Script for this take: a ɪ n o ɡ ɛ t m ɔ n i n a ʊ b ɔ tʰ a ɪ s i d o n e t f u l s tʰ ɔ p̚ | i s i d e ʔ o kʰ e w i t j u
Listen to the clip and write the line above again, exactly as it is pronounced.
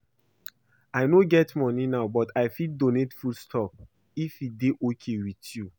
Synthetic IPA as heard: a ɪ n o ɡ ɛ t m ɔ n i n a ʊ b ɔ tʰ a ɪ f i d o n e t f u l s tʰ ɔ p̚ | i f i d e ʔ o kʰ e w i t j u

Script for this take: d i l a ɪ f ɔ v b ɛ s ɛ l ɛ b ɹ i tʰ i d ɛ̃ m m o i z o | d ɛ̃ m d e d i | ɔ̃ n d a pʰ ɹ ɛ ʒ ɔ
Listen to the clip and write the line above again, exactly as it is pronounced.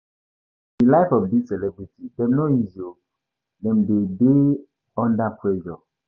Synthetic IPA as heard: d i l a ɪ f ɔ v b i s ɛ l ɛ b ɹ i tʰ i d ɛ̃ m n o i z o | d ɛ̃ m d e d e | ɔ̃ n d a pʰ ɹ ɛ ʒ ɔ

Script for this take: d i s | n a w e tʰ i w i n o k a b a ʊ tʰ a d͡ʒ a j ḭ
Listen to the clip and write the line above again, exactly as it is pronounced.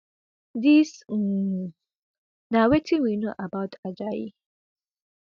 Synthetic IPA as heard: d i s | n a w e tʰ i w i n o ʔ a b a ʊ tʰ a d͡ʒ a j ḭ

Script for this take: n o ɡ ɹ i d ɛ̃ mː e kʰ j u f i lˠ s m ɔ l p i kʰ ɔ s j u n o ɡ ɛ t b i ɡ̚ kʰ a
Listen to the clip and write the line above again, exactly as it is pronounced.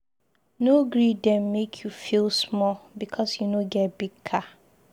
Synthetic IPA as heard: n o ɡ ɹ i d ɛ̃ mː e kʰ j u f i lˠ s m ɔ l b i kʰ ɔ s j u n o ɡ ɛ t b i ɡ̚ kʰ a

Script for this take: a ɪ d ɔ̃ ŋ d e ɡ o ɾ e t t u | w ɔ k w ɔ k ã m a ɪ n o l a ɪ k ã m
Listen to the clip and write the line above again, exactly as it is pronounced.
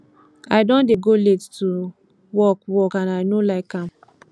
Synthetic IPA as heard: a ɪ d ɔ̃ n d e ɡ o l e t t u | w ɔ k w ɔ k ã n a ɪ n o l a ɪ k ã m

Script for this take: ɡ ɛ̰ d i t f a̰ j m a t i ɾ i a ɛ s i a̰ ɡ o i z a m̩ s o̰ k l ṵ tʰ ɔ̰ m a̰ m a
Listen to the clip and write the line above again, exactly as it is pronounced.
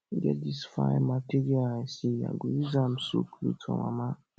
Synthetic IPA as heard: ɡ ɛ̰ d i s f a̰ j m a t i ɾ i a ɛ s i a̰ ɡ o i z a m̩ s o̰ k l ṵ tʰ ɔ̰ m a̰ m a

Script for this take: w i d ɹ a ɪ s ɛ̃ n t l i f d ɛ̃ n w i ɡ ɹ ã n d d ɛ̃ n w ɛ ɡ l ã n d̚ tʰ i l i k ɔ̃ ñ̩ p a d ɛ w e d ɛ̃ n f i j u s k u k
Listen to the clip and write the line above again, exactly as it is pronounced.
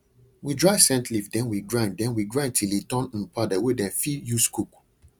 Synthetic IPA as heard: w i d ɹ a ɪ s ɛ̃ n t l i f d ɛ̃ n w i ɡ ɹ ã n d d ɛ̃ n w i ɡ ɹ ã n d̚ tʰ i l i t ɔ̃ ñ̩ p a d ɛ w e d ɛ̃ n f i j u s k u k

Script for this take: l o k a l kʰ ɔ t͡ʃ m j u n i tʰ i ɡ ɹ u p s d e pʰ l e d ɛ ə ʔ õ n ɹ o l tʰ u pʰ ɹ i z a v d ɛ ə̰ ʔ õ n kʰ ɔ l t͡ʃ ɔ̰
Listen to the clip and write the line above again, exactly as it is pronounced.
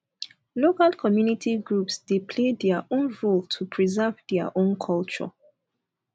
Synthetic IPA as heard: l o k a l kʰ ɔ m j u n i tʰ i ɡ ɹ u p s d e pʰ l e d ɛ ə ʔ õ n ɹ o l tʰ u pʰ ɹ i z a v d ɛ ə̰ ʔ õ n kʰ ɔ l t͡ʃ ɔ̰

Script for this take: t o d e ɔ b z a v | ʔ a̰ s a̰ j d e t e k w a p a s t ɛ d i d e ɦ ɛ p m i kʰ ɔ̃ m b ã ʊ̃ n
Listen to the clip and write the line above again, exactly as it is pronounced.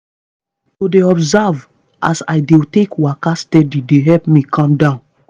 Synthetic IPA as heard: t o d e ɔ b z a v | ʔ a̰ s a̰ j d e t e k w a k a s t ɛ d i d e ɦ ɛ p m i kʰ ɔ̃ m d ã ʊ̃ n

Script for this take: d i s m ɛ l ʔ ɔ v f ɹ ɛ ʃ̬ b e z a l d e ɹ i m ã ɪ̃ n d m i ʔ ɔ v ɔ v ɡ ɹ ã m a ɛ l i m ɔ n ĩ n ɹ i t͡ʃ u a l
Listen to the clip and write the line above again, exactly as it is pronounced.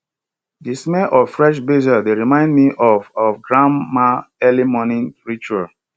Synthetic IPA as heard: d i s m ɛ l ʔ ɔ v f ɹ ɛ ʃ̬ b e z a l d e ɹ i m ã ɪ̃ n d m i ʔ ɔ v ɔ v ɡ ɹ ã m a ɛ l i m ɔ n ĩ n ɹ i t͡ʃ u a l

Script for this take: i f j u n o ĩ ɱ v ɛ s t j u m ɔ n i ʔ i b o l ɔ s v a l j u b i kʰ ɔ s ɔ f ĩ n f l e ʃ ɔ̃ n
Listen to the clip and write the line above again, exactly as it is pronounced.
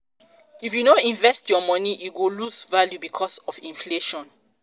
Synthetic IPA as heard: i f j u n o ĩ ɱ v ɛ s t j ɔ m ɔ n i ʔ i ɡ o l u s v a l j u b i kʰ ɔ s ɔ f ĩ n f l e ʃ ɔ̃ n

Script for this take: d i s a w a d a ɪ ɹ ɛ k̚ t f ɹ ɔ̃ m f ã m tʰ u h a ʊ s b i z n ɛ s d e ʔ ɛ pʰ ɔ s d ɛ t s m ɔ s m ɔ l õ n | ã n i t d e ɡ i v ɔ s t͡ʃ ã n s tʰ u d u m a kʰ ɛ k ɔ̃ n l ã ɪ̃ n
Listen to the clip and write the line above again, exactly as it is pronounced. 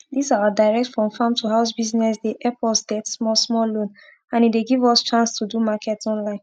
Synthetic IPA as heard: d i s a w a d a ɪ ɹ ɛ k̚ t f ɹ ɔ̃ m f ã m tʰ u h a ʊ s b i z n ɛ s d e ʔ ɛ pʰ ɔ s d ɛ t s m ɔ s m ɔ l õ n | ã n i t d e ɡ i v ɔ s t͡ʃ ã n s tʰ u d u m a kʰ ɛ t ɔ̃ n l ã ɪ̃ n

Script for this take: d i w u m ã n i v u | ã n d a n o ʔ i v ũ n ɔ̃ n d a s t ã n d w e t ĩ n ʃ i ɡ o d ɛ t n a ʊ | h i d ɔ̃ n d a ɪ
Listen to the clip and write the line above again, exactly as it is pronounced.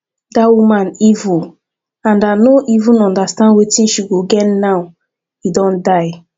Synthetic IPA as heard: d a w u m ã n i v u | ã n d a n o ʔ i v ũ n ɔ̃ n d a s t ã n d w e t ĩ n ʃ i ɡ o ɡ ɛ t n a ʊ | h i d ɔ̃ n d a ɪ

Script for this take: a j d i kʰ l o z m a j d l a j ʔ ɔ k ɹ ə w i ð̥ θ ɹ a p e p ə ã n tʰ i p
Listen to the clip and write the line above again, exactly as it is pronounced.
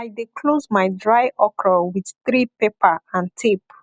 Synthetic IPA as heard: a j d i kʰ l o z m a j d ɹ a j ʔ ɔ k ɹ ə w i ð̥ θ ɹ i p e p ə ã n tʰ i p

